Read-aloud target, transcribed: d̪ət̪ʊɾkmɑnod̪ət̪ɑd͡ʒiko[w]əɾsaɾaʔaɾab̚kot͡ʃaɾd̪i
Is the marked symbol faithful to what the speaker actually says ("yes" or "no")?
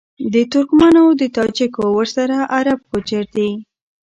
yes